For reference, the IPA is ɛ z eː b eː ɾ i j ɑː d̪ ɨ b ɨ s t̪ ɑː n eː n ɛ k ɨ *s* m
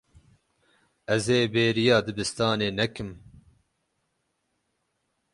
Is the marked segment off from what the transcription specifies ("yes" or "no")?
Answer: yes